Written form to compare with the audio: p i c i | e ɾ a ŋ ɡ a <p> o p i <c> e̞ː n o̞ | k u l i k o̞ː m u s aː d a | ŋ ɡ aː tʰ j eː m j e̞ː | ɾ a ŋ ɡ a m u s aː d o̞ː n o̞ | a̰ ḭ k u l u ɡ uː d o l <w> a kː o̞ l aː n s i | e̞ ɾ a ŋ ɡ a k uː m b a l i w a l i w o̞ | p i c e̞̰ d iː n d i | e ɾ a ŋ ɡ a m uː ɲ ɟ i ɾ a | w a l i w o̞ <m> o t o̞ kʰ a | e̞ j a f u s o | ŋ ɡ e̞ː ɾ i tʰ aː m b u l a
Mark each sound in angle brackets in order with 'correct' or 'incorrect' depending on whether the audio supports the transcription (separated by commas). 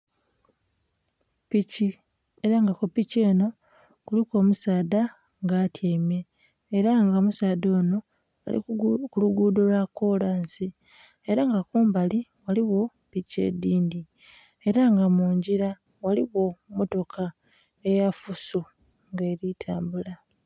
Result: incorrect, correct, correct, correct